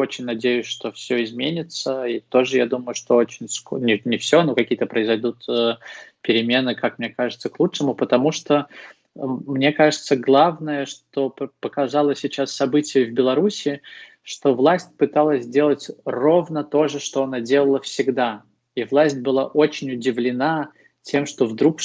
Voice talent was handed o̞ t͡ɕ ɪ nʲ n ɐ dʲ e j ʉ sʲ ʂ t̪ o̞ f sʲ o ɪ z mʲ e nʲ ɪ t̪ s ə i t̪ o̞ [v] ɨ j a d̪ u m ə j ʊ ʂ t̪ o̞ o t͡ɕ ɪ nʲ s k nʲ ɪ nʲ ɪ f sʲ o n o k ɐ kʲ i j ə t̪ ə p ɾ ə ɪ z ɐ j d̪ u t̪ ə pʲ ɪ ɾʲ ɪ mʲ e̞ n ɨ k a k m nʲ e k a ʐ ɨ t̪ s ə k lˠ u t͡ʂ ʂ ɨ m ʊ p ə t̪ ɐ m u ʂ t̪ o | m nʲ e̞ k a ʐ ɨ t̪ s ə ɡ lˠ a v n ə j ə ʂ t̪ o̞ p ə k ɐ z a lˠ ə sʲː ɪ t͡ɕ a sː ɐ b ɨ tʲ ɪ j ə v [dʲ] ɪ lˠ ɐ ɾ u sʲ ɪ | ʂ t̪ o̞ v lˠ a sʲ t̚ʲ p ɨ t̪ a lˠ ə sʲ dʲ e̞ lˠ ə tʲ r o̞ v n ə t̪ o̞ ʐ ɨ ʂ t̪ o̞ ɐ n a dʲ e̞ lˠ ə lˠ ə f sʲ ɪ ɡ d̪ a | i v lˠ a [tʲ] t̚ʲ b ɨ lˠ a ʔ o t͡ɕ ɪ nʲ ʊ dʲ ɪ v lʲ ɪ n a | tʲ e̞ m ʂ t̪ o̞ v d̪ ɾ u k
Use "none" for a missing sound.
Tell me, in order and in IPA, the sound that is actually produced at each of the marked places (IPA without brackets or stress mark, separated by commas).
ʐ, bʲ, sʲ